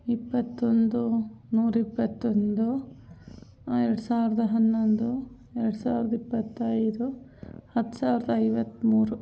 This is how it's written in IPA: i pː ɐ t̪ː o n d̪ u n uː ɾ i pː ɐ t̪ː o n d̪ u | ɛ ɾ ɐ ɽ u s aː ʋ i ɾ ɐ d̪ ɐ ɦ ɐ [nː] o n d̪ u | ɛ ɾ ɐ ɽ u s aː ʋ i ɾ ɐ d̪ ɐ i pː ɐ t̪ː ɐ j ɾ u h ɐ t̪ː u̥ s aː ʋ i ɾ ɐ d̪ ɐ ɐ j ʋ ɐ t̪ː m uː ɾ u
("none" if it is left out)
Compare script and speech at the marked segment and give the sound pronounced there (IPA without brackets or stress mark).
nː